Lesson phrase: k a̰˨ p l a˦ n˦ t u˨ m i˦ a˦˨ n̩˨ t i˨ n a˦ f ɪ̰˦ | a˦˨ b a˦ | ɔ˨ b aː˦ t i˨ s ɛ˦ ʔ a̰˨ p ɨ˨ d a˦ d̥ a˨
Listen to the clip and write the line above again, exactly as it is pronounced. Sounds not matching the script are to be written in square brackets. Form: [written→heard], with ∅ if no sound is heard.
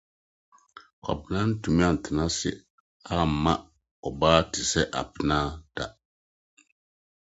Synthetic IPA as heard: k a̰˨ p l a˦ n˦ t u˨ m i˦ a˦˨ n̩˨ t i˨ n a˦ [f→s] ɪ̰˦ | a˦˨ [b→m] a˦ | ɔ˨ b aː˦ t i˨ s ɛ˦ ʔ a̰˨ p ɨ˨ [d→n] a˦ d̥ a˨